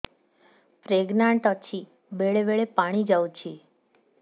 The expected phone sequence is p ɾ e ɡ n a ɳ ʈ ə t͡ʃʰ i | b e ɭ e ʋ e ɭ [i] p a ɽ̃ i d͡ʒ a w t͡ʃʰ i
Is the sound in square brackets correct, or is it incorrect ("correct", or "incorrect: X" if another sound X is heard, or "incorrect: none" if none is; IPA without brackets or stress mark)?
incorrect: e